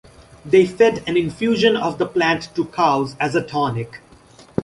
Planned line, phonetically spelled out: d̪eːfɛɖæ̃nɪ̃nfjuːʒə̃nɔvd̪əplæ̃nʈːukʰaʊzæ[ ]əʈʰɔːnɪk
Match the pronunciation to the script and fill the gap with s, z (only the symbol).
z